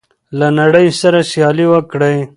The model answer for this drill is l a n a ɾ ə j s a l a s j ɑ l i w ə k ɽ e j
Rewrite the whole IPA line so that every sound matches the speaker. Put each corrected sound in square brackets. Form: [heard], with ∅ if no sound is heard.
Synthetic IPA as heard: l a n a [ɽ] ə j s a [ɾ] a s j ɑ l i w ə k ɽ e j